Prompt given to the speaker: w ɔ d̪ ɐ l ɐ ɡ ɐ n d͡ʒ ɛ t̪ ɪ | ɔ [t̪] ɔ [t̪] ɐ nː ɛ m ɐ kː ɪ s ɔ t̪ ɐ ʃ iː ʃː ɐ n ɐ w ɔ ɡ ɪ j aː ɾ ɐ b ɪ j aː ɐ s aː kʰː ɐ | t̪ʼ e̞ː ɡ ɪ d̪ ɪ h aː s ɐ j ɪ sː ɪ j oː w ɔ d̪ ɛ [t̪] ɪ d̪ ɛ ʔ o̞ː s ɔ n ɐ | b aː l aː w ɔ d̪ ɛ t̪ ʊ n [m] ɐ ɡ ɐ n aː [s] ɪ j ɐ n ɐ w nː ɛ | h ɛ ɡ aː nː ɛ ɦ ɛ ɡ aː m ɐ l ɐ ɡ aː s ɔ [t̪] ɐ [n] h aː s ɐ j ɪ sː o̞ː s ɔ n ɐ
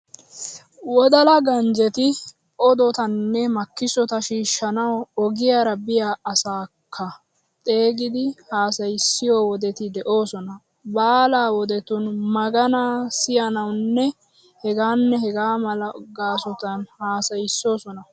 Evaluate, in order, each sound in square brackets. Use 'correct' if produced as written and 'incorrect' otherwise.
incorrect, correct, correct, correct, correct, correct, correct

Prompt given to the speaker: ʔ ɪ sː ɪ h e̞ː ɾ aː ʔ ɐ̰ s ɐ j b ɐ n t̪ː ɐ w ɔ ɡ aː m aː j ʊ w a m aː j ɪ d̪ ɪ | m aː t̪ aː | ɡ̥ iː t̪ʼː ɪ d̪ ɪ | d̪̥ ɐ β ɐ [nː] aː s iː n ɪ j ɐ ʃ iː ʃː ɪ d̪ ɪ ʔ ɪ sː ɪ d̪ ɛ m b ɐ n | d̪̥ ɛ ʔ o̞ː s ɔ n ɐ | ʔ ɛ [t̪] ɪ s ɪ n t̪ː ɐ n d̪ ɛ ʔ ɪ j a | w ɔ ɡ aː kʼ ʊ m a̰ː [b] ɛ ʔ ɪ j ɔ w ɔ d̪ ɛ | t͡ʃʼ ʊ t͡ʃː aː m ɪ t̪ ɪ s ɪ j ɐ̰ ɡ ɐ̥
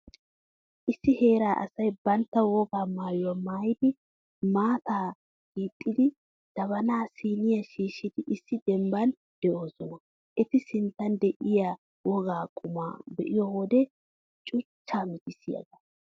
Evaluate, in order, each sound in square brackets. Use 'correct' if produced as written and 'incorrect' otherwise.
incorrect, correct, correct

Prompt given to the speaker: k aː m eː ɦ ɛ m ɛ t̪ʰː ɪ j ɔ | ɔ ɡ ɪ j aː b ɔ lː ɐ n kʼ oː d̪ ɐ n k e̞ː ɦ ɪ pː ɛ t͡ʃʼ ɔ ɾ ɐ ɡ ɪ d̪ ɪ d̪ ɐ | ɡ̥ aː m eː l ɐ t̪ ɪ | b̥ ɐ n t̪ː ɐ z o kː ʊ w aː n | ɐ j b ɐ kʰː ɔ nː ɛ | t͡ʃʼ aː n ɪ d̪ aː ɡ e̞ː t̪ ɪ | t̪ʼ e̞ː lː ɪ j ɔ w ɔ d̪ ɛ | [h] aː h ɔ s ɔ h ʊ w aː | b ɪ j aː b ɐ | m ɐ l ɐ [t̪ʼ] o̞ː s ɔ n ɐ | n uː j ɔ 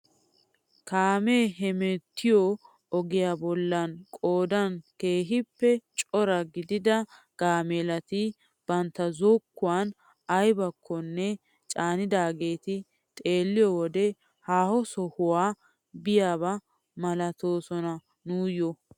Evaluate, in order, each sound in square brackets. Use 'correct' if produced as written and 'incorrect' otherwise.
correct, incorrect

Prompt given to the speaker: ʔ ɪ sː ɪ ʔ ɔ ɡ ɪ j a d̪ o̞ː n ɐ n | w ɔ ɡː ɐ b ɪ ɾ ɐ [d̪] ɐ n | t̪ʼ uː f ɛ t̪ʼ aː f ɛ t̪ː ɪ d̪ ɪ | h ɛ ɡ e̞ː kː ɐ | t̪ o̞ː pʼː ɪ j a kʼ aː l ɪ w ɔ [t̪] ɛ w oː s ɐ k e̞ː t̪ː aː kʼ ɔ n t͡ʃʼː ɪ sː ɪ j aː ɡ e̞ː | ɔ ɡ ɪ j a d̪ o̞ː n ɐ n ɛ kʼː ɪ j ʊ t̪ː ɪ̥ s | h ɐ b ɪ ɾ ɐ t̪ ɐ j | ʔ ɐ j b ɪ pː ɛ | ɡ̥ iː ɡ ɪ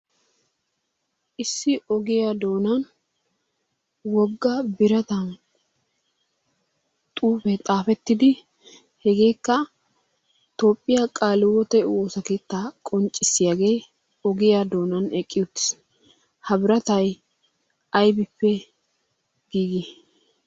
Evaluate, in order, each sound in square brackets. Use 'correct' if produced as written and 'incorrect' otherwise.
incorrect, correct

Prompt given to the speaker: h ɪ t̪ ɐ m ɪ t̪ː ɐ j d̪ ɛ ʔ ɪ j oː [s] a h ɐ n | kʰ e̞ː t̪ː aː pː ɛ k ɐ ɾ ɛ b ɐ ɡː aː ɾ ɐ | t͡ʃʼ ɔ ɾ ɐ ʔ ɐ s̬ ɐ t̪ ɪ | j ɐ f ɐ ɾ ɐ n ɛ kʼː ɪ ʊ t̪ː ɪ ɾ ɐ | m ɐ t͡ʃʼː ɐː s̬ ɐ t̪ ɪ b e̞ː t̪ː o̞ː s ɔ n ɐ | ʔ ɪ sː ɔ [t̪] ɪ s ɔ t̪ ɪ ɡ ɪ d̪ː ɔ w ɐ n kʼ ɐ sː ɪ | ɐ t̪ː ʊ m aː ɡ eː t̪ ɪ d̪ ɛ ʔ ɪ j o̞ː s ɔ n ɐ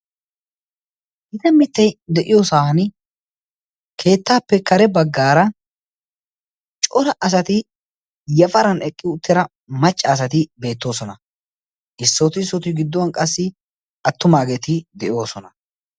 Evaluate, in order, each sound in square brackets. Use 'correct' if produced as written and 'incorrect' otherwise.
correct, correct

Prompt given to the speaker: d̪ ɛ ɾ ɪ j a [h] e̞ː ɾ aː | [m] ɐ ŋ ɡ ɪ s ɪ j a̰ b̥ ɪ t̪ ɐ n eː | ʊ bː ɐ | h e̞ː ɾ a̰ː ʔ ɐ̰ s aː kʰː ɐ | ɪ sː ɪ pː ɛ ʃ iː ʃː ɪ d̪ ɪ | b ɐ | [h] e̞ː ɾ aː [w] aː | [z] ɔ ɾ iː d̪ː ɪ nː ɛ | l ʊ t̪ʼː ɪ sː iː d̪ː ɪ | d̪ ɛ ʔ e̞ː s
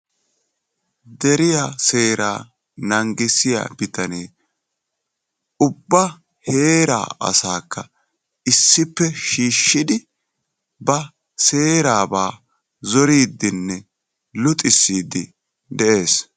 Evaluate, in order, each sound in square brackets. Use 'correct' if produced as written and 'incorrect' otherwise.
incorrect, incorrect, incorrect, incorrect, correct

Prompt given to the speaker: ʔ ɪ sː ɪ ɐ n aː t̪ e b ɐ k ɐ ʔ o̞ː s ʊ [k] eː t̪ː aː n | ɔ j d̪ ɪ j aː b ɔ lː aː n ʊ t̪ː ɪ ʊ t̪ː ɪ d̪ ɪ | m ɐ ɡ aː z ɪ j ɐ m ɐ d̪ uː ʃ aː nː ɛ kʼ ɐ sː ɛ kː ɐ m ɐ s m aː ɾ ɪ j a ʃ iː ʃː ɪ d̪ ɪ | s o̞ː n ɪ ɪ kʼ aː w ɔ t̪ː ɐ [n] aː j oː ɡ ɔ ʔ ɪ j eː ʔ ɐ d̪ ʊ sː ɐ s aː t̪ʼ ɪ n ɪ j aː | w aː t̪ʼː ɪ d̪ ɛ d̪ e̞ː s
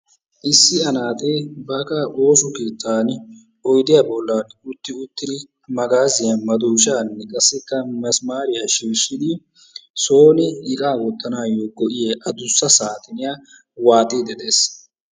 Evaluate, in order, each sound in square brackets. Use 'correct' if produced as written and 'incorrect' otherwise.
correct, correct

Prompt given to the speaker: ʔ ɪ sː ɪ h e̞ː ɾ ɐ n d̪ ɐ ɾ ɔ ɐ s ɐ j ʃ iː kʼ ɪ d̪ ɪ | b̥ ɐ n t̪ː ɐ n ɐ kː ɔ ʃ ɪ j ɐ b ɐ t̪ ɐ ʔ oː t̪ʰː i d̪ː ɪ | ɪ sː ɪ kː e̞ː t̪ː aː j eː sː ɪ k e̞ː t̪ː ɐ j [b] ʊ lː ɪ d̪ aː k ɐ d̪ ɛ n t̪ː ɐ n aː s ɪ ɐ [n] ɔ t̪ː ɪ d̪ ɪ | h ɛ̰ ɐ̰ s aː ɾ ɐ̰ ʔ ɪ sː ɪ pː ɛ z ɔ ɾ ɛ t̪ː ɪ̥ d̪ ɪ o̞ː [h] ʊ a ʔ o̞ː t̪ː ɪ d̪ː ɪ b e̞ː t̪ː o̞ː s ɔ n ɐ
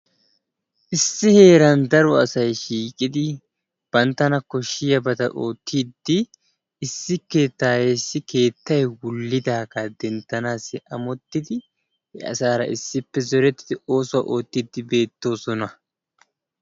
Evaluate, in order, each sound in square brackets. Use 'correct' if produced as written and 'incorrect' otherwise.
incorrect, incorrect, incorrect

